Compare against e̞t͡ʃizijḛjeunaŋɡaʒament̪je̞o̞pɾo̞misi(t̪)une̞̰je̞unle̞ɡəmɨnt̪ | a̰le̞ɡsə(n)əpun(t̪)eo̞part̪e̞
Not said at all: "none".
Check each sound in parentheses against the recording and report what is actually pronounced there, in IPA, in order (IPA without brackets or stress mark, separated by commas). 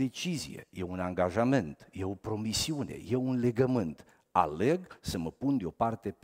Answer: none, m, d̪